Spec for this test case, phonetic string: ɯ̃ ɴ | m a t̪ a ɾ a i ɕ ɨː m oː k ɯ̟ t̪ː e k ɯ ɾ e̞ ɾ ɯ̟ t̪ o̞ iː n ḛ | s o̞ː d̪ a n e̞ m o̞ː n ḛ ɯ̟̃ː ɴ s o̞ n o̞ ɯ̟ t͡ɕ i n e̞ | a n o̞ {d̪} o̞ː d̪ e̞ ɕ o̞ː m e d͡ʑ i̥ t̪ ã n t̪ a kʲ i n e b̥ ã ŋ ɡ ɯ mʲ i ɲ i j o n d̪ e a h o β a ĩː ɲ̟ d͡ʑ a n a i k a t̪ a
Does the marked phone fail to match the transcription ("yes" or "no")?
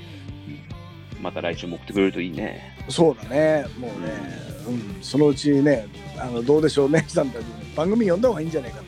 no